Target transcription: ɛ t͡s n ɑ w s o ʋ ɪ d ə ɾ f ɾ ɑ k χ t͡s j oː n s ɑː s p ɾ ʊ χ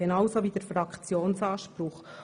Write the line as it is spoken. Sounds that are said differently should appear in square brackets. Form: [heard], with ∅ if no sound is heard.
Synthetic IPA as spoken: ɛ [∅] n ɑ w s o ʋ [i] d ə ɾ f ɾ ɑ k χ t͡s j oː n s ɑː [ʃ] p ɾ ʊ χ